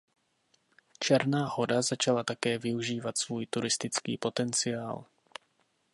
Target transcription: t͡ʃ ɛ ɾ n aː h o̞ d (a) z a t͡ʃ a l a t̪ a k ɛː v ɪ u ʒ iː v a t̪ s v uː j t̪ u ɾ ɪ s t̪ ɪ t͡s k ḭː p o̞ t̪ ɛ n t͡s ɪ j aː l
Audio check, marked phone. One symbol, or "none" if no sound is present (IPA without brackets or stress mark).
a